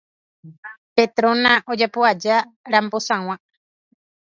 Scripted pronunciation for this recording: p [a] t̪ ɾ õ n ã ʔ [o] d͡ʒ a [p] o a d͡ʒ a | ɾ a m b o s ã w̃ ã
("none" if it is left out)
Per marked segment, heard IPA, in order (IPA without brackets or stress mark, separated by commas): e, o, p